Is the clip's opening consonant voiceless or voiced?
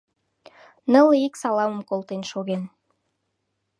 voiced